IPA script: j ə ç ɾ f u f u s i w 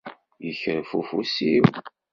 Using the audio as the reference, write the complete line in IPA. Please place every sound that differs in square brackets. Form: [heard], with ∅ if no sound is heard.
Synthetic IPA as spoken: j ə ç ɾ f u f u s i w